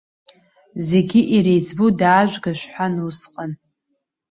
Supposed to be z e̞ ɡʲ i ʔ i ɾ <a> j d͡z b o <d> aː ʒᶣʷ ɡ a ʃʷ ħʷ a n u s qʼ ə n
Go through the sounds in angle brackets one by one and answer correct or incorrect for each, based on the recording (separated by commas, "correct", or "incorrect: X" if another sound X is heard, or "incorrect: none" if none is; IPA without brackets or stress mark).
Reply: incorrect: e, correct